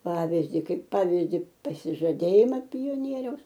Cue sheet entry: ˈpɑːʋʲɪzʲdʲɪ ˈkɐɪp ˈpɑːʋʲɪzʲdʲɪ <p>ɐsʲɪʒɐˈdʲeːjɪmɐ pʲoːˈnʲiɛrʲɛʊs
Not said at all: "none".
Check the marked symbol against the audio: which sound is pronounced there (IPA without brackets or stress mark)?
p